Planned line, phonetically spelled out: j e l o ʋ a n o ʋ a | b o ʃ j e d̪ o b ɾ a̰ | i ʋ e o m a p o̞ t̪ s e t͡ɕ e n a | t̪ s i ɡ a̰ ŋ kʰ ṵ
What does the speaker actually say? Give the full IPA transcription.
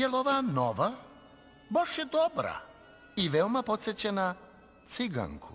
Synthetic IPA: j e l o ʋ a n o ʋ a | b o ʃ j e d̪ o b ɾ a̰ | i ʋ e o m a p o̞ t̪ s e t͡ɕ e n a | t̪ s i ɡ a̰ ŋ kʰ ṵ